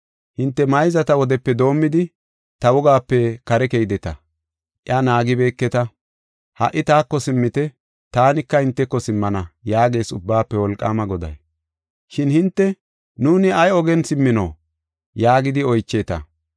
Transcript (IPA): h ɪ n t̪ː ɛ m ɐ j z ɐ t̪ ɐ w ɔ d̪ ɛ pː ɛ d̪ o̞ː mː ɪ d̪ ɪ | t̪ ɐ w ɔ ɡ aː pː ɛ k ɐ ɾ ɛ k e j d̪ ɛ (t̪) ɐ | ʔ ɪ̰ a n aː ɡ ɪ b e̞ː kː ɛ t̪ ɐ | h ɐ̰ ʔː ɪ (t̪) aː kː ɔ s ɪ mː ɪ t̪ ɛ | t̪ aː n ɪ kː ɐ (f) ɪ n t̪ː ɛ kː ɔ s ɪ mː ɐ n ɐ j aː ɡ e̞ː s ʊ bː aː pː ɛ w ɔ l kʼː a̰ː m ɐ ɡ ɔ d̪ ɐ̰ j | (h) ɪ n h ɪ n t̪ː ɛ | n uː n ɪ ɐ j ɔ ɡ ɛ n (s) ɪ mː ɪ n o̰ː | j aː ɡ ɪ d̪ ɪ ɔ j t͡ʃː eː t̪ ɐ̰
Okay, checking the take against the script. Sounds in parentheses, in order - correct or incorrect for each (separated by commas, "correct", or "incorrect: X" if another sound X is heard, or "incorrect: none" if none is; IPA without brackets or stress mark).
correct, correct, incorrect: h, incorrect: ʃ, correct